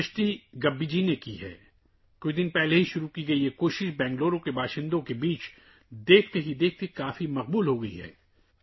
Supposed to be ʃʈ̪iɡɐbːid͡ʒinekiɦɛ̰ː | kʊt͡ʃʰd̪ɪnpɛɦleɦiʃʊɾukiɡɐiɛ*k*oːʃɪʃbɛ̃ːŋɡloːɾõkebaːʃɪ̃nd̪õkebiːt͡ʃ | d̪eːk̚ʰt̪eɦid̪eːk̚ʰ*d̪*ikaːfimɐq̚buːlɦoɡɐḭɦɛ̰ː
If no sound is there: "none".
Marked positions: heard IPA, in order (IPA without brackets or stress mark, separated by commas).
k, t̪